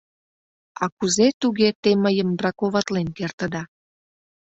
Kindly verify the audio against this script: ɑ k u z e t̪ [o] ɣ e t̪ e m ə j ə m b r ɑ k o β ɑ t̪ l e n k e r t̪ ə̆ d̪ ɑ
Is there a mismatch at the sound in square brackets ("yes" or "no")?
yes